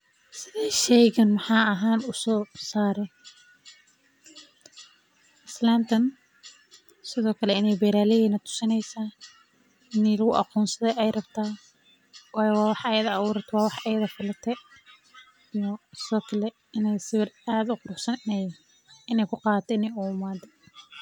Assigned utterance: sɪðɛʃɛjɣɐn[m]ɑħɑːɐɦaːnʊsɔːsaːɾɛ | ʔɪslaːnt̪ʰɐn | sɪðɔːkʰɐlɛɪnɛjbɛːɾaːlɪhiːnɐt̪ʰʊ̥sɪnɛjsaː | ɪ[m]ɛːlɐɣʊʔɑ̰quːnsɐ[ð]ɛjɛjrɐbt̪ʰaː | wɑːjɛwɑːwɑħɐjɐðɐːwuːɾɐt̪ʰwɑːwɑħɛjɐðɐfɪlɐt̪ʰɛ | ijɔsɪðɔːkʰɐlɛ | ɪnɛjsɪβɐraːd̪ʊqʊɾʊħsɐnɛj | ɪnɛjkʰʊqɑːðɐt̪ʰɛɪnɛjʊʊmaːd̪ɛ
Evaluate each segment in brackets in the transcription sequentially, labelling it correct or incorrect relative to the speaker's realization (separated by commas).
correct, incorrect, correct